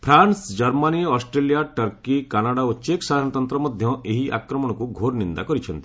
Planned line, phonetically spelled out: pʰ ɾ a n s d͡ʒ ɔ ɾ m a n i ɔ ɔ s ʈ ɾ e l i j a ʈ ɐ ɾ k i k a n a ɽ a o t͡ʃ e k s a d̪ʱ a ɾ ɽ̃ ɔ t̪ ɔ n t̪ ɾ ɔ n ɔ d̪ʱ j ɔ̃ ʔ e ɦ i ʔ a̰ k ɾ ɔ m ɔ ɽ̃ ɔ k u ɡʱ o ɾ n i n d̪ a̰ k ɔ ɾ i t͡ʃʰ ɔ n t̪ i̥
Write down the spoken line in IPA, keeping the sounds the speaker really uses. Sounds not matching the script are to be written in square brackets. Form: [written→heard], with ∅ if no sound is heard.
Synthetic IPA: pʰ ɾ a n s d͡ʒ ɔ ɾ m a n i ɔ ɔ s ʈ ɾ e l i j a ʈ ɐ ɾ k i k a n a ɽ a o t͡ʃ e k s a d̪ʱ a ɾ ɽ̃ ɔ t̪ ɔ n t̪ ɾ ɔ [n→m] ɔ d̪ʱ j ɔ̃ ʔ e ɦ i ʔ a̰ k ɾ ɔ m ɔ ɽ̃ ɔ k u ɡʱ o ɾ n i n d̪ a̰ k ɔ ɾ i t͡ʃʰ ɔ n t̪ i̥